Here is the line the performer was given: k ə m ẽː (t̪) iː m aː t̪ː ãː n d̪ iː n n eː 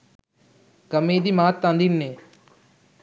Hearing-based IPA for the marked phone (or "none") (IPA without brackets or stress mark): d̪